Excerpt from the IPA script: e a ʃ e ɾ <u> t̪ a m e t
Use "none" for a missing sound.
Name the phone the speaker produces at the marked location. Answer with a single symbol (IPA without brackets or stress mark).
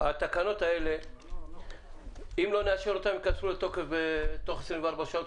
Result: o